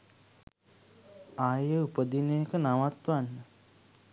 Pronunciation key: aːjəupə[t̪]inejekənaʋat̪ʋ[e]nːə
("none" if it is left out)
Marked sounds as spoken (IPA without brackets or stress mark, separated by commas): d̪, a